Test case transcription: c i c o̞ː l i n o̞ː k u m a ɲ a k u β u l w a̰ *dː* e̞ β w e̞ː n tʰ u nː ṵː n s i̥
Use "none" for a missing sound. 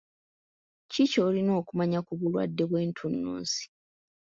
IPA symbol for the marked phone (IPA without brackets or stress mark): dː